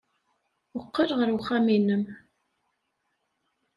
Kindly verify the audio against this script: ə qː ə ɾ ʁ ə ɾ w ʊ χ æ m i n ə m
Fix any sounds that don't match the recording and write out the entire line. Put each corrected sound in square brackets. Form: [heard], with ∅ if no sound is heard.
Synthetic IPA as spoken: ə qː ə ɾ ʁ ə ɾ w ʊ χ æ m i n ə m